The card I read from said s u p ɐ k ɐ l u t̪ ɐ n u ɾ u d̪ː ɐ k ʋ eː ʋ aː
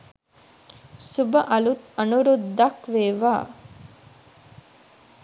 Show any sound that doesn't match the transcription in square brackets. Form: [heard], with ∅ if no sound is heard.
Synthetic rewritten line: s u [b] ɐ [ʔ] ɐ l u t̪ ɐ n u ɾ u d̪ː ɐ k ʋ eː ʋ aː